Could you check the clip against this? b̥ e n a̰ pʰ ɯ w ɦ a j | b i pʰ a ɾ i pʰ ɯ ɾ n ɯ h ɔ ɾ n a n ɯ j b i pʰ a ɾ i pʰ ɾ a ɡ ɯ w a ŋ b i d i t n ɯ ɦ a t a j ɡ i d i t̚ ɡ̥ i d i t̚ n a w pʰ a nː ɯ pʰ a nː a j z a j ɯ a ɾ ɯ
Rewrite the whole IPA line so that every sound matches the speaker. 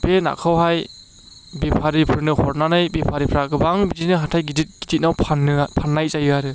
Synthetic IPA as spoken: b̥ e n a̰ kʰ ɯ w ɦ a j | b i pʰ a ɾ i pʰ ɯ ɾ n ɯ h ɔ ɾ n a n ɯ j b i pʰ a ɾ i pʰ ɾ a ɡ ɯ b a ŋ b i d i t n ɯ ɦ a tʰ a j ɡ i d i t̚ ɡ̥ i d i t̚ n a w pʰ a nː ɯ pʰ a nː a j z a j ɯ a ɾ ɯ